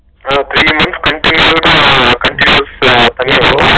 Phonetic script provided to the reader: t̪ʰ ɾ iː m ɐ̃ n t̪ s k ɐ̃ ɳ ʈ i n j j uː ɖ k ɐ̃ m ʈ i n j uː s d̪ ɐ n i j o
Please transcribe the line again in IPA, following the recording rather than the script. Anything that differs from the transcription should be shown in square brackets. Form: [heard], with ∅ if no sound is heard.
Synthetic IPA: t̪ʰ ɾ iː m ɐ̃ n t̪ s k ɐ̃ ɳ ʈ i n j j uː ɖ k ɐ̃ [ɳ] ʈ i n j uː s [t̪] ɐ n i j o